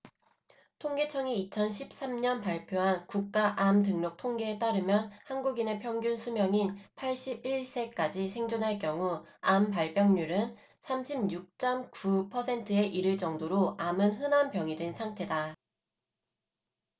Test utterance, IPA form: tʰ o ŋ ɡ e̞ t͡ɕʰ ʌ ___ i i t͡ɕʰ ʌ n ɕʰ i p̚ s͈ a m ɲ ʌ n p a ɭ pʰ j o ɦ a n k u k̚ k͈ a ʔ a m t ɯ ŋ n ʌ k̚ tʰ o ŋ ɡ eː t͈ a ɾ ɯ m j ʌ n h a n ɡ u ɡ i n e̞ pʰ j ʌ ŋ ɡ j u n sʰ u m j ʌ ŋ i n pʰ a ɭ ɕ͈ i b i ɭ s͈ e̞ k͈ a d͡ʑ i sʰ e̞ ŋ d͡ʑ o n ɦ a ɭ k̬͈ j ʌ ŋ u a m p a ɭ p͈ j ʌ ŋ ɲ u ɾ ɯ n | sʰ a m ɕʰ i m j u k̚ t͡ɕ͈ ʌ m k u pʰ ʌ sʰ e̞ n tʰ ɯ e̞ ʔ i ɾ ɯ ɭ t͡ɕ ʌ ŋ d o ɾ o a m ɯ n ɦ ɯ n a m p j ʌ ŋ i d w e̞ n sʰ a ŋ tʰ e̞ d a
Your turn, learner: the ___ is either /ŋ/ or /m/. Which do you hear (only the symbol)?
ŋ